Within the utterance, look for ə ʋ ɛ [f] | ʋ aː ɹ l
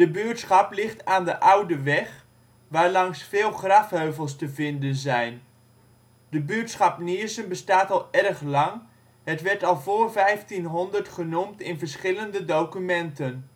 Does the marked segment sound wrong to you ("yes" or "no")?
yes